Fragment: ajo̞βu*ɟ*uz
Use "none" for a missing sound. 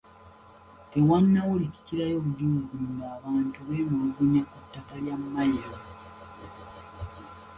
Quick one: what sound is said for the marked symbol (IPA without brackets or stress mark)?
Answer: ɟ